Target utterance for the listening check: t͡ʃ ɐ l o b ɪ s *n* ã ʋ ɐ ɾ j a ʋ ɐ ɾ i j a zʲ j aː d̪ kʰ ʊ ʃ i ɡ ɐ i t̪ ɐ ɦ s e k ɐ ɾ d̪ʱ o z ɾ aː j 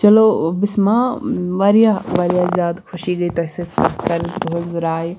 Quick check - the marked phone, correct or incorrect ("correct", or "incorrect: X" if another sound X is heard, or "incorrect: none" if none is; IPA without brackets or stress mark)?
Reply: incorrect: m